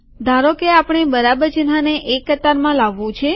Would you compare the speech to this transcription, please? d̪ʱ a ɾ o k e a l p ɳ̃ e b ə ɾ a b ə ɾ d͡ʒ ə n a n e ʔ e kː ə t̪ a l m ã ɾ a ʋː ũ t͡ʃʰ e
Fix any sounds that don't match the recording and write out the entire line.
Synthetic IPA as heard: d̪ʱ a ɾ o k e a p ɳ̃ e b ə ɾ a b ə ɾ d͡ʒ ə n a n e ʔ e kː ə t̪ a ɾ m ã l a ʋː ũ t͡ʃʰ e